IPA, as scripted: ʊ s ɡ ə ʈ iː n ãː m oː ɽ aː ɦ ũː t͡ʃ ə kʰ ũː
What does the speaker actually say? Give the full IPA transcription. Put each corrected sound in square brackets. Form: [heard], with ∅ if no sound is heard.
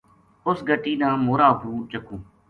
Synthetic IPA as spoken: ʊ s ɡ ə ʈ iː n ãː m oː [ɾ] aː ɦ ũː t͡ʃ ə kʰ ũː